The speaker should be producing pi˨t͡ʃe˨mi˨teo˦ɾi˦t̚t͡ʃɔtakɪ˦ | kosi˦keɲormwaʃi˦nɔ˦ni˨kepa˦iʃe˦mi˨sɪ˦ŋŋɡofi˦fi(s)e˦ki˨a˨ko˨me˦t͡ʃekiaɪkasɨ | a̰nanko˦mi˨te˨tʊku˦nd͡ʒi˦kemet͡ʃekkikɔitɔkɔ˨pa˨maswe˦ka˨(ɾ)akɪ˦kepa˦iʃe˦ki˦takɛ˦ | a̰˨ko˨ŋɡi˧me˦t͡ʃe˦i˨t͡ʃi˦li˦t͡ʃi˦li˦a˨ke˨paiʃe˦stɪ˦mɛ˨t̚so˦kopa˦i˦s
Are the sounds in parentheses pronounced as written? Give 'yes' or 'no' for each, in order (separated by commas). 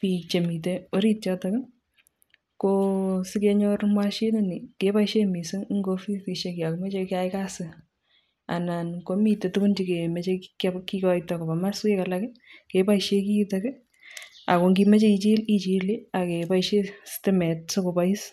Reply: no, no